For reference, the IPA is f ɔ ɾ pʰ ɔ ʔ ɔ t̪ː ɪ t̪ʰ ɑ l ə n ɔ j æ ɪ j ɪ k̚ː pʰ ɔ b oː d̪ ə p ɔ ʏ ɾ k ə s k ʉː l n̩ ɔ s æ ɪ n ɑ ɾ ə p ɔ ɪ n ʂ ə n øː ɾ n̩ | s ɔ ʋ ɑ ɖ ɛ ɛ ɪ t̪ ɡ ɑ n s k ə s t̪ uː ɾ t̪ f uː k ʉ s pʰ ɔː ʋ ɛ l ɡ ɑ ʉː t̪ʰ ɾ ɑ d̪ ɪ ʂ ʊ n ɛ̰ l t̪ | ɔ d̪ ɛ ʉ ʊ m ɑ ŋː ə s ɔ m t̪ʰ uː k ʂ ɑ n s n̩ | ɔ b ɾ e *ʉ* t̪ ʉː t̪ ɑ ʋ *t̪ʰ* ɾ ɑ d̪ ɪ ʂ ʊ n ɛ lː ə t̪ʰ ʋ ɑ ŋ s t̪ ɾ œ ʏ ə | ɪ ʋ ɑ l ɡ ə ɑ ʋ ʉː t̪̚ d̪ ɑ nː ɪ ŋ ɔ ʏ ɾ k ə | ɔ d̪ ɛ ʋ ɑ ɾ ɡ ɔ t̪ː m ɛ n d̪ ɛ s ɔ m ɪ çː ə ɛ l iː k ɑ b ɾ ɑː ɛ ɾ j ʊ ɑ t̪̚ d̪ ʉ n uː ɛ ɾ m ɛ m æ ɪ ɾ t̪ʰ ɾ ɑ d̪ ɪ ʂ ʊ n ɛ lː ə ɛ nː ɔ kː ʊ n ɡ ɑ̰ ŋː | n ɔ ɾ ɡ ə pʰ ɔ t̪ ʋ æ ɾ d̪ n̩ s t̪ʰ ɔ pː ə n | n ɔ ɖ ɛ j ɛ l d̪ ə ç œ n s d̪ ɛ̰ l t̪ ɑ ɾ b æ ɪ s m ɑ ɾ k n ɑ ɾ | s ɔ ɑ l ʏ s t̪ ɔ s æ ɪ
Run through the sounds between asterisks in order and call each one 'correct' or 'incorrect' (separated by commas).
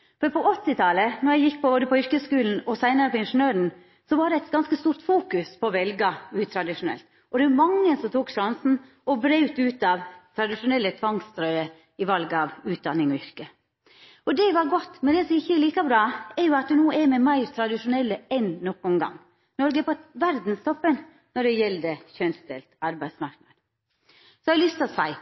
correct, correct